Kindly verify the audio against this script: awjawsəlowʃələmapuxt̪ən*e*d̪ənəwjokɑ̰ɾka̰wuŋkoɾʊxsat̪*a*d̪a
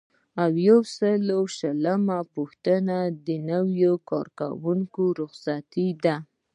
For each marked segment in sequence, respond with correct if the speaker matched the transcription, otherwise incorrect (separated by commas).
incorrect, incorrect